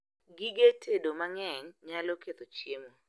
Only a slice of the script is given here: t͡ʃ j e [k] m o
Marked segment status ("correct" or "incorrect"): incorrect